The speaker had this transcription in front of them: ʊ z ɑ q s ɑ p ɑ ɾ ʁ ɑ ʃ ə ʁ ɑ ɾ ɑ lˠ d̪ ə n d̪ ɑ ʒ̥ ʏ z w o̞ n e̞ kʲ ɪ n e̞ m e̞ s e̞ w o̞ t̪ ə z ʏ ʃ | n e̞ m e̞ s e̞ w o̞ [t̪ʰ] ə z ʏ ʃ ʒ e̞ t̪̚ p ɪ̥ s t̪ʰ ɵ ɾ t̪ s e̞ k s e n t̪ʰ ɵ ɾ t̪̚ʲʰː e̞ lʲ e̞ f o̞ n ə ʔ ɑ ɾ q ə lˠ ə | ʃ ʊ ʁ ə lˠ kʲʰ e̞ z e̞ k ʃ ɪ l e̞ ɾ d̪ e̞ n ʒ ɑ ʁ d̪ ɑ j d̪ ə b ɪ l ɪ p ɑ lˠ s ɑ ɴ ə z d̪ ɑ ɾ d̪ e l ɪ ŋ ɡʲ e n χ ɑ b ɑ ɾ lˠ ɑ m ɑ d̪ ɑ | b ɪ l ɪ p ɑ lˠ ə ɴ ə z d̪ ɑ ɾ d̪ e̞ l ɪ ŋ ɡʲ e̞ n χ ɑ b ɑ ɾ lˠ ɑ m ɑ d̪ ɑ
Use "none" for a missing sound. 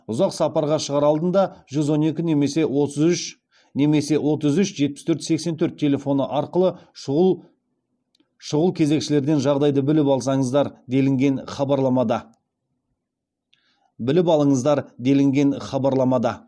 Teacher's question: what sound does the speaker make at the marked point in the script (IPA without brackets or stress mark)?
t̪